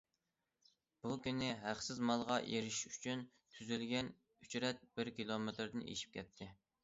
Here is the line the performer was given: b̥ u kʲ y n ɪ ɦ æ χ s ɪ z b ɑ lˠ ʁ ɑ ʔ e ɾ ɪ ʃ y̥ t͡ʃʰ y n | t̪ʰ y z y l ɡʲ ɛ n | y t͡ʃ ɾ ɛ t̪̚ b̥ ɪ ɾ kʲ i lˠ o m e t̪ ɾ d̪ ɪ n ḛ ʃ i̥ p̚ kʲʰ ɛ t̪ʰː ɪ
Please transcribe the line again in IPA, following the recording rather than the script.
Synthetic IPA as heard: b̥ u kʲ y n ɪ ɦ æ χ s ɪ z m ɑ lˠ ʁ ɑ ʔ e ɾ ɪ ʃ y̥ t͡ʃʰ y n | t̪ʰ y z y l ɡʲ ɛ n | y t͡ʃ ɾ ɛ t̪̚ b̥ ɪ ɾ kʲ i lˠ o m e t̪ ɾ d̪ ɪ n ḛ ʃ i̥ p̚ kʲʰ ɛ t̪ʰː ɪ